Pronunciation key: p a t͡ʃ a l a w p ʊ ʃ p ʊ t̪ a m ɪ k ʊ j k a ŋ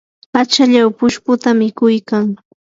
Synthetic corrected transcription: p a t͡ʃ a ʎ a w p ʊ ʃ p ʊ t̪ a m ɪ k ʊ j k a ŋ